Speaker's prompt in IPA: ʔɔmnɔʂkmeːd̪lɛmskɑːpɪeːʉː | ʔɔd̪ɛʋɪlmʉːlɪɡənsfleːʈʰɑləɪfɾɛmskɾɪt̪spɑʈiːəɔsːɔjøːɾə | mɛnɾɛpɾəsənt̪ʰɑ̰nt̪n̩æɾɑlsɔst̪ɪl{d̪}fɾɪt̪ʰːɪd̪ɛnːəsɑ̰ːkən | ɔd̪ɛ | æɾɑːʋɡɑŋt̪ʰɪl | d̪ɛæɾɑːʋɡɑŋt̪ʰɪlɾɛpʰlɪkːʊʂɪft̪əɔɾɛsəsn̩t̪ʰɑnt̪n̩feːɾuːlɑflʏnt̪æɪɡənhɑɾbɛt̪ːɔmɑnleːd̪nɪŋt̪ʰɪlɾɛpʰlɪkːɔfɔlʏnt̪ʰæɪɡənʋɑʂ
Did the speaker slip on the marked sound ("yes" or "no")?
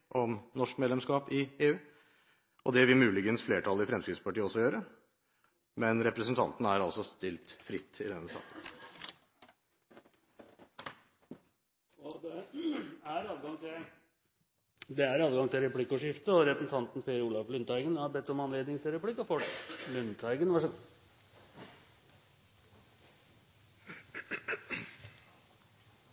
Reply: yes